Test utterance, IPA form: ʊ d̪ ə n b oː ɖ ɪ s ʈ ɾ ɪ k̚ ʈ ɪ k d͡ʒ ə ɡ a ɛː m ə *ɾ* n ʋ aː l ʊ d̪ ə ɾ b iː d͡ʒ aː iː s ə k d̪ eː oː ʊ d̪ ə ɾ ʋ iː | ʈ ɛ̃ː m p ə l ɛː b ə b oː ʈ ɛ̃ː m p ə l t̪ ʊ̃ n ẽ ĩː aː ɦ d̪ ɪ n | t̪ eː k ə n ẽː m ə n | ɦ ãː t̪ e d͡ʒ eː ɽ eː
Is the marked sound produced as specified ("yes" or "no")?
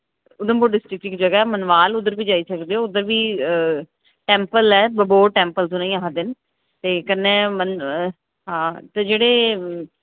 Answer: no